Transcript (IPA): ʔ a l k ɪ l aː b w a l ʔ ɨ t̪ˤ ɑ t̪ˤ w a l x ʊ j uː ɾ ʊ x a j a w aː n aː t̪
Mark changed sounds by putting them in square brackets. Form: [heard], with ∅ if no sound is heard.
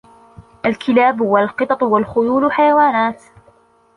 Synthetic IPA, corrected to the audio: ʔ a l k ɪ l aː b w a l [q] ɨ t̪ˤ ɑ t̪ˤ w a l x ʊ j uː [l] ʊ [ħ] a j a w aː n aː t̪

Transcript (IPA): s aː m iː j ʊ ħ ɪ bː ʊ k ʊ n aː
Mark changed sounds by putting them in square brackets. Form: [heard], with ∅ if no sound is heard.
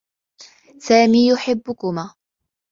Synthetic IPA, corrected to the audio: s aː m iː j ʊ ħ ɪ bː ʊ k ʊ [m] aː

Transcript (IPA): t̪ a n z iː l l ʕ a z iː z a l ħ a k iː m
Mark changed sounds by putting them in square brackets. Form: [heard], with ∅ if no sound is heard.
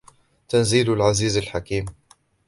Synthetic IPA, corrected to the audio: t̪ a n z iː l l ʕ a z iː z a l ħ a k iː m

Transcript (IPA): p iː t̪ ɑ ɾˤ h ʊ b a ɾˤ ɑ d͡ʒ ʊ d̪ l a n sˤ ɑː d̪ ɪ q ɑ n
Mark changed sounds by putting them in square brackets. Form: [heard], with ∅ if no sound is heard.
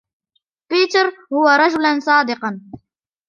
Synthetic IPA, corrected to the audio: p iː t̪ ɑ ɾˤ h ʊ [w] a ɾˤ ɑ d͡ʒ ʊ [∅] l a n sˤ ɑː d̪ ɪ q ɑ n

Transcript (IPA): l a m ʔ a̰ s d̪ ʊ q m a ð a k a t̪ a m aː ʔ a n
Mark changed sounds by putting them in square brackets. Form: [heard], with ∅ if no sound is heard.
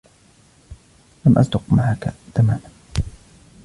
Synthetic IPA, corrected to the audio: l a m ʔ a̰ s d̪ ʊ q m a [ʕ] a k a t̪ a m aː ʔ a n

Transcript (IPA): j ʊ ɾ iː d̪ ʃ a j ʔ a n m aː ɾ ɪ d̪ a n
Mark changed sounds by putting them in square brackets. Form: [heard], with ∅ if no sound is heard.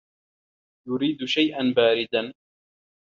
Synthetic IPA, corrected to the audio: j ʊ ɾ iː d̪ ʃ a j ʔ a n [b] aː ɾ ɪ d̪ a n

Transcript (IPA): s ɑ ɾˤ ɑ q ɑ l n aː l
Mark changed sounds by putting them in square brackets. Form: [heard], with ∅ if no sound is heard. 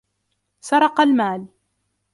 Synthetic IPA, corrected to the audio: s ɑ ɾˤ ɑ q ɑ l [m] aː l

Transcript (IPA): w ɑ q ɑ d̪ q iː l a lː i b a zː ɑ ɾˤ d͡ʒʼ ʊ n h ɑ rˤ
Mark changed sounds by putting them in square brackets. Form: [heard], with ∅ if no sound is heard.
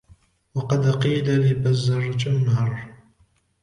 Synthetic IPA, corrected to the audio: w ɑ q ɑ d̪ q iː l a [l] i b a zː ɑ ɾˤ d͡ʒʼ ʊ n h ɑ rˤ

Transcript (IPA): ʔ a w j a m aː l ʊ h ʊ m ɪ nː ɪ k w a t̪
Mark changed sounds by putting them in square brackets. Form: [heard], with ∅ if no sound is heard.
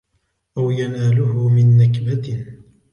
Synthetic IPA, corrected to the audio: ʔ a w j a [n] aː l ʊ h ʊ m ɪ nː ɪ k [b] a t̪

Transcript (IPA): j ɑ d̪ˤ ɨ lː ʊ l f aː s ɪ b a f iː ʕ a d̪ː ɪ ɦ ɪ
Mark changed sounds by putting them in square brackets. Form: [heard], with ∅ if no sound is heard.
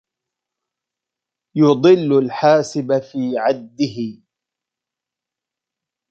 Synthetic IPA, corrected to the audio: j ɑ d̪ˤ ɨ lː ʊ l [ħ] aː s ɪ b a f iː ʕ a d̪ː ɪ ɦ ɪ

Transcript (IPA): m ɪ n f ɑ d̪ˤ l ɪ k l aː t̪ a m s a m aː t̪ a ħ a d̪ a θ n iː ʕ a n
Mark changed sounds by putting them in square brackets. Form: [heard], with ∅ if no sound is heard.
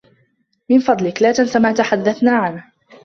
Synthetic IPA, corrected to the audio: m ɪ n f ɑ d̪ˤ l ɪ k l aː t̪ a [n] s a m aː t̪ a ħ a [d̪ː] a θ n [aː] ʕ a n

